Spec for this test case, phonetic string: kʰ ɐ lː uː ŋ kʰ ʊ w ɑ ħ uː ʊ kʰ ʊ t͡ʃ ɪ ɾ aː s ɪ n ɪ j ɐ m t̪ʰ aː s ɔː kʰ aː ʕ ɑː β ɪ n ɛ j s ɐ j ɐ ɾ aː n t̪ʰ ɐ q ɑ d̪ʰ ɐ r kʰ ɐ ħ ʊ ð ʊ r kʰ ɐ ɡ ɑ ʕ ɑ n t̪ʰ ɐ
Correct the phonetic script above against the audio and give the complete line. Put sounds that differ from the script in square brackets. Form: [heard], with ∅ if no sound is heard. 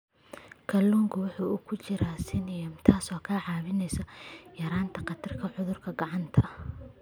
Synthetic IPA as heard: kʰ ɐ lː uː ŋ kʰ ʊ w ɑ ħ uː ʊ kʰ ʊ t͡ʃ ɪ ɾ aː s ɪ n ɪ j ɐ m t̪ʰ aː s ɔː kʰ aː ʕ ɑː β ɪ n ɛ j s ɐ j ɐ ɾ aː n t̪ʰ ɐ q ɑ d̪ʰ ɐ r kʰ ɐ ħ ʊ ð ʊ r kʰ ɐ ɡ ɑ ʕ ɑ n t̪ʰ ɐ